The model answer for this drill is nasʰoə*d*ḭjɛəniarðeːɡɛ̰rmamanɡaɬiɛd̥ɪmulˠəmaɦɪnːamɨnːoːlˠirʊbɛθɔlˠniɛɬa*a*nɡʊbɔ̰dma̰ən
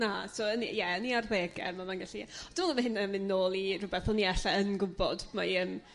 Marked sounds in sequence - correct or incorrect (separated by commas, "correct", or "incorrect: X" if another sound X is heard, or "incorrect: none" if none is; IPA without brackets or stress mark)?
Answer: incorrect: n, incorrect: ə